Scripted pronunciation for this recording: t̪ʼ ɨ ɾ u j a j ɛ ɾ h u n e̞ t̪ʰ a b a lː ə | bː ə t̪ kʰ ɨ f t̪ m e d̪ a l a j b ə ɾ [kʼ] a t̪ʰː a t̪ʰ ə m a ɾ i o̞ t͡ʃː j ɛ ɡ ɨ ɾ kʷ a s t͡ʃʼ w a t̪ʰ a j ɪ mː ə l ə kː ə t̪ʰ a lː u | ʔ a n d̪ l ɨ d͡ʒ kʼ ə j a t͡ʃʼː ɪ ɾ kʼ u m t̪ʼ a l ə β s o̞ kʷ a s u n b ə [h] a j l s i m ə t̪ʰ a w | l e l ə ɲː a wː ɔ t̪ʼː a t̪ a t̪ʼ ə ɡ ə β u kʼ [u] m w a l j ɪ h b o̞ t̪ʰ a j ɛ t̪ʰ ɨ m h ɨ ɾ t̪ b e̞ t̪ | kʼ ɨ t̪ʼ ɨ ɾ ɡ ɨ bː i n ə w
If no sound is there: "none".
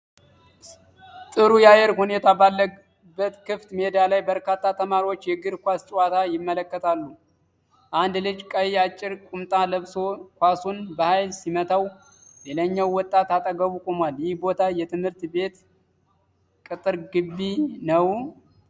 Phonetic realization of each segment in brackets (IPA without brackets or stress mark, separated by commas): k, h, o